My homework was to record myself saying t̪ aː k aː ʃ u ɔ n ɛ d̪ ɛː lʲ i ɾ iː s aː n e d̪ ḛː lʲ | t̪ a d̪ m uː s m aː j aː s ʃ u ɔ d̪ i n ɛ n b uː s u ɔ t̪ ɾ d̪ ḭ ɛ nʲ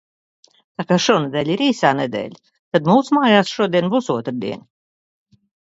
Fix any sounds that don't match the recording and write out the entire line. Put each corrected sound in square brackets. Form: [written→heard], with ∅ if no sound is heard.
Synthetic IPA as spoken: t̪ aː k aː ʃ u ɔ n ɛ d̪ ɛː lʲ i ɾ iː s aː n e d̪ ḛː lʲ | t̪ a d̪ m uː s m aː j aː s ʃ u ɔ d̪ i [n→∅] ɛ n b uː s u ɔ t̪ ɾ d̪ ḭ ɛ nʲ

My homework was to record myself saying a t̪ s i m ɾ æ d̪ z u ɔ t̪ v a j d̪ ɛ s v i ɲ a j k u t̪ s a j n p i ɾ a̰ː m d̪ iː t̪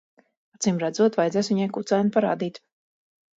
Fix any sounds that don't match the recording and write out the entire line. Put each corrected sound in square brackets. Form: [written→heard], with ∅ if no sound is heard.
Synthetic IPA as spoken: a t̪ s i m ɾ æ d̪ z u ɔ t̪ v a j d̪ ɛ s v i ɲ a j k u t̪ s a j n p [i→a] ɾ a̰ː [m→∅] d̪ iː t̪

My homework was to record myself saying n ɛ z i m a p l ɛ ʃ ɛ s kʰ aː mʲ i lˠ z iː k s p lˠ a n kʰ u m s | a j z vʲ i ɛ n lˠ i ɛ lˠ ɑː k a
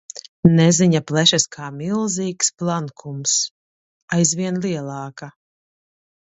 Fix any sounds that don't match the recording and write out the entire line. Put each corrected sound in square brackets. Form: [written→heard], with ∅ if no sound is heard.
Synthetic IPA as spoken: n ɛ z i [m→ɲ] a p l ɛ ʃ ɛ s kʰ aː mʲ i lˠ z iː k s p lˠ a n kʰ u m s | a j z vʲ i ɛ n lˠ i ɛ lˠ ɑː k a

